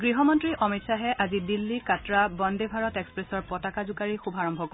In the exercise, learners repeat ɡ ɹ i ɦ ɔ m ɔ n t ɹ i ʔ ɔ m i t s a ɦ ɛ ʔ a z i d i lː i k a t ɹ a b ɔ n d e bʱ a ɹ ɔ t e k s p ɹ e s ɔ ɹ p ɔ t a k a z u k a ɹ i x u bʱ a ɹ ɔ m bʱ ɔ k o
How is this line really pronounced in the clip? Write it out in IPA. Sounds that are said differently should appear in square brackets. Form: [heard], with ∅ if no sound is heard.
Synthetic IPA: ɡ ɹ i ɦ ɔ m ɔ n t ɹ i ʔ ɔ m i t s a ɦ ɛ ʔ a z i d i lː i k a t ɹ a b ɔ n d e bʱ a ɹ ɔ t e k s p ɹ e s ɔ ɹ p ɔ t a k a z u k a ɹ i x u bʱ a ɹ ɔ m bʱ ɔ k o